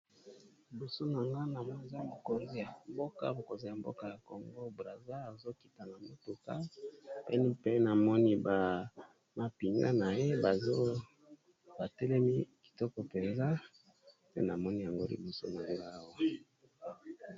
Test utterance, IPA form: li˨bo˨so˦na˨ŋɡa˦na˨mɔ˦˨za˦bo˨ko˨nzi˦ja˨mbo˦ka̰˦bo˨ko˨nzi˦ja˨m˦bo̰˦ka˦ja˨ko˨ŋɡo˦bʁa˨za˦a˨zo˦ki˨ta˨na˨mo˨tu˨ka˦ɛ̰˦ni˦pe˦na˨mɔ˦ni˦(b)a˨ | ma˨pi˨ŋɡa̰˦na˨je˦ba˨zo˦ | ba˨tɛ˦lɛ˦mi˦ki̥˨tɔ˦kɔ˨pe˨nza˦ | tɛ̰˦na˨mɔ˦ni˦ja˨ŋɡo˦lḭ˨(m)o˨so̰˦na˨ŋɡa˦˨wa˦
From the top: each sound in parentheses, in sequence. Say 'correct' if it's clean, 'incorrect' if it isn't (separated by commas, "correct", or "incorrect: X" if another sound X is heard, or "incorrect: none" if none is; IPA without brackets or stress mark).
correct, incorrect: b